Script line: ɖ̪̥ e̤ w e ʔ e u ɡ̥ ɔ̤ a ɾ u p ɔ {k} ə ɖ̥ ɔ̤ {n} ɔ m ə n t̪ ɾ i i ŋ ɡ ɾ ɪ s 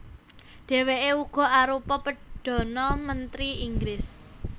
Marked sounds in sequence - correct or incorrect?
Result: incorrect, correct

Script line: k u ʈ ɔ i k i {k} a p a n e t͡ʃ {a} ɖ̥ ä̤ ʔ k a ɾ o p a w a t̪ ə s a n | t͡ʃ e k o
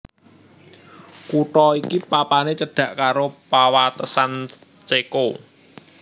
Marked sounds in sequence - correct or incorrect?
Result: incorrect, incorrect

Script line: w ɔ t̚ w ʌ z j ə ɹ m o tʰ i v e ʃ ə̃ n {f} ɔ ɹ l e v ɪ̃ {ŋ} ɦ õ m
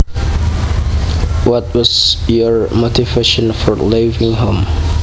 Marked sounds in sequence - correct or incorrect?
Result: correct, correct

